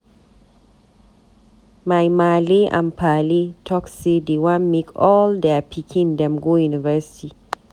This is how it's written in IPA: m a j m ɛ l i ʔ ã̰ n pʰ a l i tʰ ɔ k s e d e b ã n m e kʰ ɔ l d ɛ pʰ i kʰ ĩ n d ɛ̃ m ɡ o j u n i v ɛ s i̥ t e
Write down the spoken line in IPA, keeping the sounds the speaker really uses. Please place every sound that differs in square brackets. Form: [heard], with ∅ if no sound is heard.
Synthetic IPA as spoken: m a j m [a] l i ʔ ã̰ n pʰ a l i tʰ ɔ k s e d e [w] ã n m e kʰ ɔ l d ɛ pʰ i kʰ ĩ n d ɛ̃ m ɡ o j u n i v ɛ s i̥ t [i]